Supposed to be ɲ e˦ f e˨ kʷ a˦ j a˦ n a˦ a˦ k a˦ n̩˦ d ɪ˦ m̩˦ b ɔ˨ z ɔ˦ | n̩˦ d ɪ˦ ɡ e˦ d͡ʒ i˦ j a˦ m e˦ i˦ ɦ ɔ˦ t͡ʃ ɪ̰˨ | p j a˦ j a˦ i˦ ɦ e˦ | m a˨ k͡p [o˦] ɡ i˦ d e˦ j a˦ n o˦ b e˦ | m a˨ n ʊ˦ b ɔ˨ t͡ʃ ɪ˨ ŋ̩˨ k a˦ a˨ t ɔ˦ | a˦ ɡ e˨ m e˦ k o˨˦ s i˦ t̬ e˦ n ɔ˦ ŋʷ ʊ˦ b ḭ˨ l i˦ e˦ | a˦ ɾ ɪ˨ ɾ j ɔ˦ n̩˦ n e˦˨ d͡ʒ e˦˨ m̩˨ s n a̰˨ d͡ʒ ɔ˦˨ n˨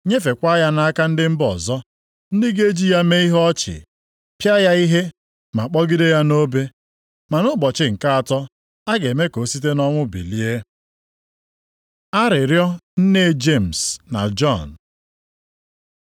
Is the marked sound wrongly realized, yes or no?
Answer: yes